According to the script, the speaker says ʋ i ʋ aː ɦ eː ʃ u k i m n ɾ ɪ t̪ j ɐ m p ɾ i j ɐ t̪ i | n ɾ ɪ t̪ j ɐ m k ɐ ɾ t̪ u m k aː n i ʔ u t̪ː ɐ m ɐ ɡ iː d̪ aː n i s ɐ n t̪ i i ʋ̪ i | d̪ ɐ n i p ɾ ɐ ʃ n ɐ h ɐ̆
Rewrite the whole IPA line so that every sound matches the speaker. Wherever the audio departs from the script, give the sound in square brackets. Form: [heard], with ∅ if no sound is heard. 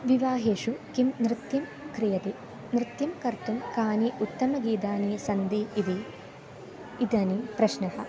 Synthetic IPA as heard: ʋ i ʋ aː ɦ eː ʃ u k i m n ɾ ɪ t̪ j ɐ m [k] ɾ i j ɐ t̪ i | n ɾ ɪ t̪ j ɐ m k ɐ ɾ t̪ u m k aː n i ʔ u t̪ː ɐ m ɐ ɡ iː d̪ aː n i s ɐ n [d̪] i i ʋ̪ i | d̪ ɐ n i p ɾ ɐ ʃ n ɐ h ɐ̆